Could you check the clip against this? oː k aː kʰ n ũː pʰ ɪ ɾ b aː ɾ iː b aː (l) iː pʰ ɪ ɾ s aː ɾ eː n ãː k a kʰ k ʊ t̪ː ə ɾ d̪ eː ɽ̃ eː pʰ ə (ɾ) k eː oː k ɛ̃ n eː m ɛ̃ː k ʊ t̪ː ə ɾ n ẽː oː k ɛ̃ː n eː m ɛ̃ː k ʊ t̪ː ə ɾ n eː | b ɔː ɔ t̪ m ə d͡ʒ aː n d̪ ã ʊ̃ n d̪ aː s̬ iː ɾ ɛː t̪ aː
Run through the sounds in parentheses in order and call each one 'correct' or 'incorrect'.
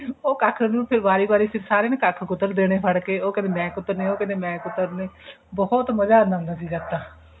incorrect, incorrect

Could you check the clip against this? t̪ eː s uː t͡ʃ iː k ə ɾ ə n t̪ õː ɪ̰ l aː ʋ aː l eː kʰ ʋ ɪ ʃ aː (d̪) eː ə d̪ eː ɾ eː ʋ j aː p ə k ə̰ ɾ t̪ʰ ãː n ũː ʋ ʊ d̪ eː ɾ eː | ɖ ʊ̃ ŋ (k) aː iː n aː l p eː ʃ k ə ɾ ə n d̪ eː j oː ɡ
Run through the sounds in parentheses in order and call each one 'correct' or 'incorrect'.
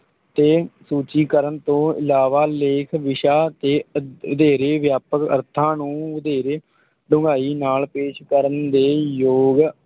incorrect, incorrect

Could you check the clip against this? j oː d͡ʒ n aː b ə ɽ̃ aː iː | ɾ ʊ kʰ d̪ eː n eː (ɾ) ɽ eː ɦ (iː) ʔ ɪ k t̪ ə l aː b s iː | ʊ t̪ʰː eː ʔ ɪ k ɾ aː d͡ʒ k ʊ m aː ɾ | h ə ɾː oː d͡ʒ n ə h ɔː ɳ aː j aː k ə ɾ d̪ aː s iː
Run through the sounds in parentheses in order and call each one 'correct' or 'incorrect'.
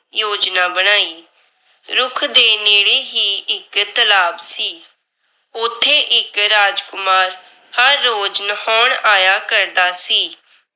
incorrect, correct

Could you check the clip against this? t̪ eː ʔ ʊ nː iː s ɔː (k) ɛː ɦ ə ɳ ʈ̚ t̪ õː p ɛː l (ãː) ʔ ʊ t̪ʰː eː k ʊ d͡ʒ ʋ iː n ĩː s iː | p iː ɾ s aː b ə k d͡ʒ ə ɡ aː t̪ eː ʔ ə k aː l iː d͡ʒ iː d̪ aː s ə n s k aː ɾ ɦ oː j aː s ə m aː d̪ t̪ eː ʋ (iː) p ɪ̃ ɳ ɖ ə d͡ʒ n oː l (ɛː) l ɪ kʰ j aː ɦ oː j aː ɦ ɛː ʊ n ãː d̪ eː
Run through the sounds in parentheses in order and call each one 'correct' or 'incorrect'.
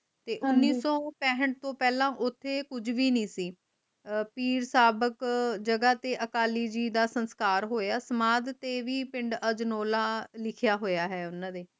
incorrect, correct, correct, incorrect

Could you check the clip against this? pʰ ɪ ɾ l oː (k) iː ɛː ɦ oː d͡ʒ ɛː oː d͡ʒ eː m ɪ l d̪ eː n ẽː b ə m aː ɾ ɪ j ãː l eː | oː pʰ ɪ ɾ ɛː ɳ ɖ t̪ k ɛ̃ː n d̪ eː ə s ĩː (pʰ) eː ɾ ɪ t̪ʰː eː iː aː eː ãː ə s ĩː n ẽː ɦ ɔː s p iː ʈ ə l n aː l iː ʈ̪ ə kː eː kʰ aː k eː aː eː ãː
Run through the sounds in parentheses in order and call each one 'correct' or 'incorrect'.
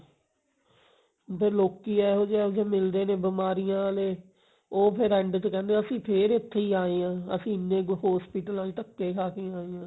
correct, correct

